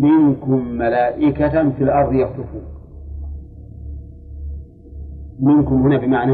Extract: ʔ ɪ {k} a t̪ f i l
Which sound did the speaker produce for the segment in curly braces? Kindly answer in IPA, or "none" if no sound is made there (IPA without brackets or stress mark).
k